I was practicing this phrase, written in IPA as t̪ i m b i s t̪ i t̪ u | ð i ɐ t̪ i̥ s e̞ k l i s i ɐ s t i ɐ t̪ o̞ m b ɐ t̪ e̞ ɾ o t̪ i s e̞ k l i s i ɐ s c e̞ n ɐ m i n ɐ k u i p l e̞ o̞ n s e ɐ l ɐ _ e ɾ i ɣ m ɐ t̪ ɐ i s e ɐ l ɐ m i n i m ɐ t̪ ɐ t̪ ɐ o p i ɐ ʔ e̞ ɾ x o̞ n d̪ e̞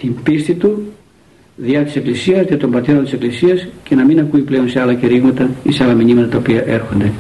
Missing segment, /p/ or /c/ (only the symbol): c